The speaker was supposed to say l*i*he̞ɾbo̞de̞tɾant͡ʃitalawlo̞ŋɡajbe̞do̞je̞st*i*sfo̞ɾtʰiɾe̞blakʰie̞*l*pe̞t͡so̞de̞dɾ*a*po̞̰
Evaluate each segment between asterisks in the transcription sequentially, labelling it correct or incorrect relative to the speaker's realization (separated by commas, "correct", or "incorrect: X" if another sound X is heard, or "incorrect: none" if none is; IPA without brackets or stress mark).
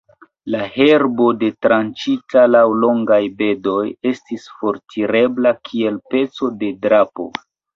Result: incorrect: a, correct, correct, correct